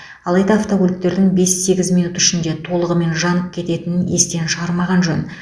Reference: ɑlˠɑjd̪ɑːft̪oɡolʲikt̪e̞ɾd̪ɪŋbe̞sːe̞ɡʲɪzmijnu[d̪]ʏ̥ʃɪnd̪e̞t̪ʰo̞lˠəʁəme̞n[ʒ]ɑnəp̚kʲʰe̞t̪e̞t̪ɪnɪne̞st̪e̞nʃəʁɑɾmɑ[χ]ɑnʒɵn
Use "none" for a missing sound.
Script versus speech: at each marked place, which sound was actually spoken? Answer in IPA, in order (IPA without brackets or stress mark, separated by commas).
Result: t̪, ʒ, ʁ